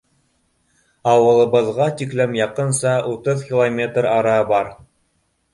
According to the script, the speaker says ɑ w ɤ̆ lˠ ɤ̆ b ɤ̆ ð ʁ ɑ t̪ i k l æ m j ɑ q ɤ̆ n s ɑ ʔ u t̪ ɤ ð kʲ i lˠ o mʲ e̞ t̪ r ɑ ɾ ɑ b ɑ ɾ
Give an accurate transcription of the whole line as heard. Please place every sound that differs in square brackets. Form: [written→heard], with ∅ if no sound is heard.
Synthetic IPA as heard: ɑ w ɤ̆ lˠ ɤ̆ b ɤ̆ ð ʁ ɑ t̪ i k l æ m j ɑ q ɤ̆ n s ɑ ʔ u t̪ ɤ ð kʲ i lˠ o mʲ e̞ t̪ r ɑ ɾ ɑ b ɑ ɾ